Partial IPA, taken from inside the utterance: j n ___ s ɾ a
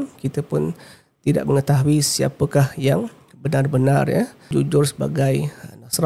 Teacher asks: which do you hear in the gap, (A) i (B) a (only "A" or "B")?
B